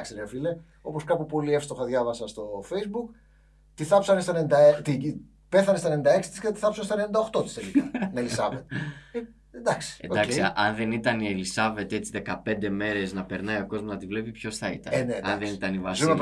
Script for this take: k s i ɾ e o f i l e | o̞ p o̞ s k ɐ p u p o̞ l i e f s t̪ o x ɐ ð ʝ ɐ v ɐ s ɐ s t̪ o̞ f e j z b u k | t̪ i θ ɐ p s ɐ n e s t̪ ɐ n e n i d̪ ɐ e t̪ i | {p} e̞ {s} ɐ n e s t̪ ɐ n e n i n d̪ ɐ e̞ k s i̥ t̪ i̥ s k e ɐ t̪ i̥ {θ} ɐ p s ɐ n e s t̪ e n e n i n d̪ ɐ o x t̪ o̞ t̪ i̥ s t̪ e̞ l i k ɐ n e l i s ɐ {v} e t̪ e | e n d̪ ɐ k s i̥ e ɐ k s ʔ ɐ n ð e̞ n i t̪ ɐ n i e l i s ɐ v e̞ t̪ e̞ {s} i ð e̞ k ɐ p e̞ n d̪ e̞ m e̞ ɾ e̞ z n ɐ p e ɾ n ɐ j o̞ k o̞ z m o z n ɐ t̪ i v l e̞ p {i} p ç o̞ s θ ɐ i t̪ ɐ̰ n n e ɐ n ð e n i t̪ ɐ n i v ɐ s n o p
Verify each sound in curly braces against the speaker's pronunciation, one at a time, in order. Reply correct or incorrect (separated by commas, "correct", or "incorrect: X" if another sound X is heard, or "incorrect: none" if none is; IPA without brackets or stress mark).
correct, incorrect: θ, correct, correct, incorrect: t͡s, correct